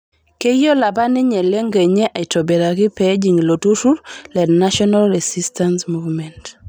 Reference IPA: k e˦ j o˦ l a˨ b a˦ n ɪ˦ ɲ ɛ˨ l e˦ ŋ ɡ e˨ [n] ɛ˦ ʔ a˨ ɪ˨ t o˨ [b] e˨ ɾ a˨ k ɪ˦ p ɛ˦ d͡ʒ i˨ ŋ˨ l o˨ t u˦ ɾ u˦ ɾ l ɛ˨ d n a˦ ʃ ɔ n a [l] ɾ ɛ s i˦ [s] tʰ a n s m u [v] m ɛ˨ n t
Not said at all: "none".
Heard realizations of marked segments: ɲ, b, l, s, v

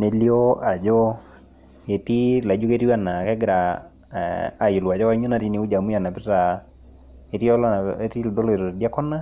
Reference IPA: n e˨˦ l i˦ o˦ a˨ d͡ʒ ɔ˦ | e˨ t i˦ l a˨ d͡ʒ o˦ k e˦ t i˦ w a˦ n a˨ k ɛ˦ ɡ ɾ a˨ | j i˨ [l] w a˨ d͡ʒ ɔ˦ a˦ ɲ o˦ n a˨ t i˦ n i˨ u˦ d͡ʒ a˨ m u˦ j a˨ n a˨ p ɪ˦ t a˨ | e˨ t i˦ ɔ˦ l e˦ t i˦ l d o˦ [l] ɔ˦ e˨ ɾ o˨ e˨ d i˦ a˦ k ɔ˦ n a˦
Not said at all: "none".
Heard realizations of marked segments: l, l

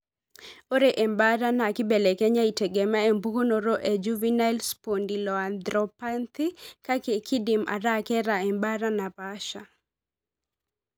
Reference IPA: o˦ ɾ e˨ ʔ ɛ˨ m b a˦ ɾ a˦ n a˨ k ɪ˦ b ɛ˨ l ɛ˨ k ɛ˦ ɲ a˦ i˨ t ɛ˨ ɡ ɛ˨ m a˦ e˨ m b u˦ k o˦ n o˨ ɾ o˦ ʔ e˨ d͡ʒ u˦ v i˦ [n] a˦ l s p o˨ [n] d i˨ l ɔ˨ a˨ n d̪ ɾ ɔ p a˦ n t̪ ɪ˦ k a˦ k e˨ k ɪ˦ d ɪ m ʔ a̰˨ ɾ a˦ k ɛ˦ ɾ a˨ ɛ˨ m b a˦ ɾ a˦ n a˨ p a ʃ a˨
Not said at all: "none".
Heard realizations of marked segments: n, n

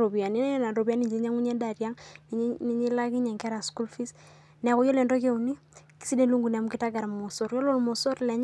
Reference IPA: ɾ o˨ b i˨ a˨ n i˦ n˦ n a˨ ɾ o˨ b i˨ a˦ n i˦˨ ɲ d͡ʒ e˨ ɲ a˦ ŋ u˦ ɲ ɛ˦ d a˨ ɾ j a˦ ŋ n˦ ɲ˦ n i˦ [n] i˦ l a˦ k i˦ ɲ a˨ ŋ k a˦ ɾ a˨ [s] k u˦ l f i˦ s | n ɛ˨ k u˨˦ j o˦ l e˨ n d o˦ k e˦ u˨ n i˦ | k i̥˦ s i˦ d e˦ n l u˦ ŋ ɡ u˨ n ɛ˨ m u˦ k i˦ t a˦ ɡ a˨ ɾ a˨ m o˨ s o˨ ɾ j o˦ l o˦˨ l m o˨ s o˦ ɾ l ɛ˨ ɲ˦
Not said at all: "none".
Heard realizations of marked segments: ɲ, s

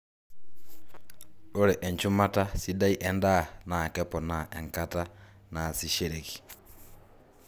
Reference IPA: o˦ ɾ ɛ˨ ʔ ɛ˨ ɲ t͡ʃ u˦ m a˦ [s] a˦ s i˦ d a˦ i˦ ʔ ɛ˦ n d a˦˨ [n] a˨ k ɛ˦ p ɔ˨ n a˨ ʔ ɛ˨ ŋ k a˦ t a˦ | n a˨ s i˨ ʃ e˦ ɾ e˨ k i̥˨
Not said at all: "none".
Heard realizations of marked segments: t, n

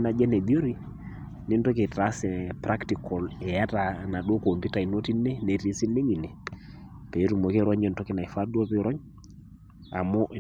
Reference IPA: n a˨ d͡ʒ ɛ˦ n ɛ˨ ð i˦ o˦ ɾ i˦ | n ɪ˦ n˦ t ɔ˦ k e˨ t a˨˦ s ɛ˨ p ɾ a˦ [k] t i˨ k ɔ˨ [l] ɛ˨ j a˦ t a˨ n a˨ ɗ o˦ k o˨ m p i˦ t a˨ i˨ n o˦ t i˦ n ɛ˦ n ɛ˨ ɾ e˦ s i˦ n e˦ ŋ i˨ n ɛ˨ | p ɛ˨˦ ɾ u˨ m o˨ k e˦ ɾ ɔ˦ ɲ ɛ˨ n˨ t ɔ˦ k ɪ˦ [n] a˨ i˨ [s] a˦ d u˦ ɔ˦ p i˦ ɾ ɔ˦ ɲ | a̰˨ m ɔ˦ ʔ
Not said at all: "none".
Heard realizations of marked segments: k, l, n, f

